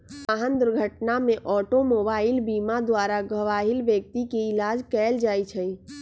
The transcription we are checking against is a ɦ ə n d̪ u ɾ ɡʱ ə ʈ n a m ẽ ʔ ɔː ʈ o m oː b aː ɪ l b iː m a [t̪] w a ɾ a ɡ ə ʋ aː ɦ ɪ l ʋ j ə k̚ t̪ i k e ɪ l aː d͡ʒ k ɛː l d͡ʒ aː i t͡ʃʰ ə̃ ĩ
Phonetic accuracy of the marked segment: incorrect: d̪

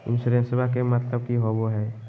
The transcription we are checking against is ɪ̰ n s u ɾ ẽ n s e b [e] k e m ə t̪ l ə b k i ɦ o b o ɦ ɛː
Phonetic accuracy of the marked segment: incorrect: a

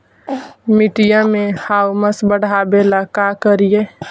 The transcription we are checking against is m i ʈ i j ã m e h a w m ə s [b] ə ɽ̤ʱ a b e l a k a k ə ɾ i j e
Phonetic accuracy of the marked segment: correct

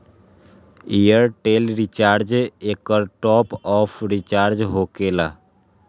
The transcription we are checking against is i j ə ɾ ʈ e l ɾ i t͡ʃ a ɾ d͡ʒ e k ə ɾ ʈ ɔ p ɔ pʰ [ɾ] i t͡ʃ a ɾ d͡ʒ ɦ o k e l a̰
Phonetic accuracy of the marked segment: correct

